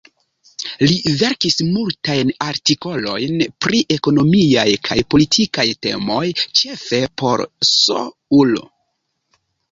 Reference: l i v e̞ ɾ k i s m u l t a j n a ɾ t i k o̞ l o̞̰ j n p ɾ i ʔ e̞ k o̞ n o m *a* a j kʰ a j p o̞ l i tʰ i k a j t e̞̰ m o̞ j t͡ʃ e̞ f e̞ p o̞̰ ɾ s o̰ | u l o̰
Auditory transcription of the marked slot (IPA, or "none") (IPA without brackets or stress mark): i